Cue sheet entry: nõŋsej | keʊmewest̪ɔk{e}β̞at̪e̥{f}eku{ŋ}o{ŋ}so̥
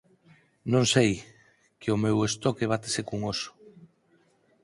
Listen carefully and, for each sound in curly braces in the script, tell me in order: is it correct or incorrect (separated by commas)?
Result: correct, incorrect, correct, incorrect